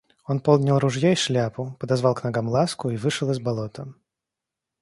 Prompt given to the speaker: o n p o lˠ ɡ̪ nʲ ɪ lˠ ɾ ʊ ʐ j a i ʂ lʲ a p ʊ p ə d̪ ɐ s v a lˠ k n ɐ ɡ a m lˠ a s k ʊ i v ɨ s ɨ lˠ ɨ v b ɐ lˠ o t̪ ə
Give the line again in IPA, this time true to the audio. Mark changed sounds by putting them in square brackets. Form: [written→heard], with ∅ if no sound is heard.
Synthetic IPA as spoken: o n p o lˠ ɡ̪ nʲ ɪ lˠ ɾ ʊ ʐ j a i ʂ lʲ a p ʊ p ə d̪ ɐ [s→z] v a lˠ k n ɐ ɡ a m lˠ a s k ʊ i v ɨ [s→ʂ] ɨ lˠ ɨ [v→z] b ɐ lˠ o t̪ ə